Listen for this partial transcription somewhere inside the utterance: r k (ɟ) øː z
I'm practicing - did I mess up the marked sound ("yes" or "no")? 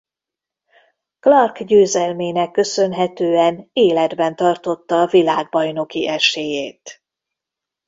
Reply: no